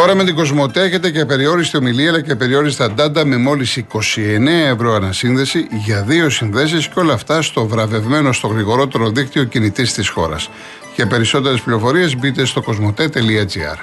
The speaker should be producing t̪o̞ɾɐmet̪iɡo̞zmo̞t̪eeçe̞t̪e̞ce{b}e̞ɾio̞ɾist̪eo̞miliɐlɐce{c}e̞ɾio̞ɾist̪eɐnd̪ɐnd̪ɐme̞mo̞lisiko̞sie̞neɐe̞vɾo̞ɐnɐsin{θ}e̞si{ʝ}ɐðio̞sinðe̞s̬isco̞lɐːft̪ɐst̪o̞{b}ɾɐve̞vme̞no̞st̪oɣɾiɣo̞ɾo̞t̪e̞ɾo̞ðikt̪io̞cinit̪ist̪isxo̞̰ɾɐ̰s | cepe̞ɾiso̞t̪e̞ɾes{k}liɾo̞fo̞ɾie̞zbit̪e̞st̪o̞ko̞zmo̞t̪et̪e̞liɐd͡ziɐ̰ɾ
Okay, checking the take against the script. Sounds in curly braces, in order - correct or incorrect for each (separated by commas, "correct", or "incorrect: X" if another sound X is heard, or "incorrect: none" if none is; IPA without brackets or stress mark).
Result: incorrect: p, incorrect: p, incorrect: ð, correct, incorrect: v, incorrect: p